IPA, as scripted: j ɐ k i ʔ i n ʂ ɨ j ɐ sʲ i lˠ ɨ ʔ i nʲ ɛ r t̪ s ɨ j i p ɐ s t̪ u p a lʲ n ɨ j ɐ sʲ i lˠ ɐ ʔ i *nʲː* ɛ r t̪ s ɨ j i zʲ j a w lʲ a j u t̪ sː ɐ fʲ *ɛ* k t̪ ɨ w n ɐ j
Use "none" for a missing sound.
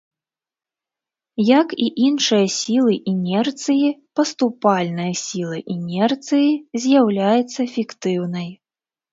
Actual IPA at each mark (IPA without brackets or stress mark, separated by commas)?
nʲ, i